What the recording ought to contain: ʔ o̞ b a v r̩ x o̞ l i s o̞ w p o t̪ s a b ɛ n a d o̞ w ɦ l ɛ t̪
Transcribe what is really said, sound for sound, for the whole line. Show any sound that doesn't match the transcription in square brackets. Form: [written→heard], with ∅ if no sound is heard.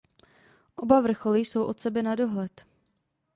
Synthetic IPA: ʔ o̞ b a v r̩ x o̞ l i s o̞ w [p→ʔ] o t̪ s [a→ɛ] b ɛ n a d o̞ [w→∅] ɦ l ɛ t̪